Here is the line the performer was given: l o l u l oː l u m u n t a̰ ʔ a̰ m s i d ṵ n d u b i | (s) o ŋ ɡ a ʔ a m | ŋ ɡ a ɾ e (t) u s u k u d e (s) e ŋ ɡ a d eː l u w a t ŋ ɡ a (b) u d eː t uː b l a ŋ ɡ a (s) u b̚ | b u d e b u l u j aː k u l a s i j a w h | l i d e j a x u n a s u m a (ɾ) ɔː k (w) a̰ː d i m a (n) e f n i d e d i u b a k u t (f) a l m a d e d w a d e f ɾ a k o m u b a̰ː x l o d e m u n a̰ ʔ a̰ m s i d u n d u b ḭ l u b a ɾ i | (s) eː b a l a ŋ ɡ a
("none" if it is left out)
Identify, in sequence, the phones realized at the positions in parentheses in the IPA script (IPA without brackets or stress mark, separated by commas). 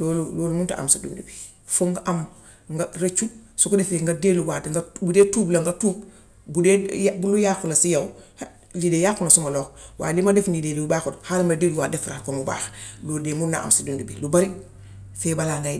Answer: f, t͡ʃ, f, b, t, l, w, d, h, f